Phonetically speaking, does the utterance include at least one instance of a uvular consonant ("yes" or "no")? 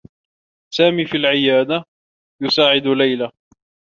no